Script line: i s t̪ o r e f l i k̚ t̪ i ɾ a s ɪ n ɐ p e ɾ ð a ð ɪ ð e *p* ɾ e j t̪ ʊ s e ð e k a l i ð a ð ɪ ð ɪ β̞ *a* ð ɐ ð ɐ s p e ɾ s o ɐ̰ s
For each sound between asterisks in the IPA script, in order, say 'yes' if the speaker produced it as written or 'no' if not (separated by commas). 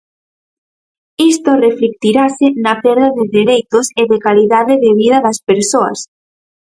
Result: no, no